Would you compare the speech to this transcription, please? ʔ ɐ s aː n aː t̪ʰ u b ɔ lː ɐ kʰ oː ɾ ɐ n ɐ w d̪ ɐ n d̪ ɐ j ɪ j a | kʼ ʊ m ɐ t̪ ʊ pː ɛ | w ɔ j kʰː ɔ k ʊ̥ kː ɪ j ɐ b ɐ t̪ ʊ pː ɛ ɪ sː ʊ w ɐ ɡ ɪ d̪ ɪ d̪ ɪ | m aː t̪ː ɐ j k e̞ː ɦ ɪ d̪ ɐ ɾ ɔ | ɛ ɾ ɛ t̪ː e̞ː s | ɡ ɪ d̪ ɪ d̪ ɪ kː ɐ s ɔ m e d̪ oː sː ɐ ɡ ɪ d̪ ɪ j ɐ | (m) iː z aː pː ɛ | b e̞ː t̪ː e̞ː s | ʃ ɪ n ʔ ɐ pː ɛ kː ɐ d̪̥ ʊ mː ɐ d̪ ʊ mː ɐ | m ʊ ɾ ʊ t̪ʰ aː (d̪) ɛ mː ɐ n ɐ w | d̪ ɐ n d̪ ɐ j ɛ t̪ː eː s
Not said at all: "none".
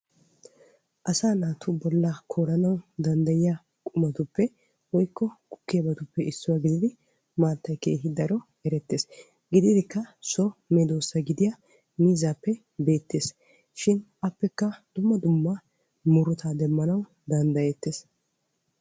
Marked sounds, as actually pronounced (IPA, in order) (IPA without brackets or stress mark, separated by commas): m, d̪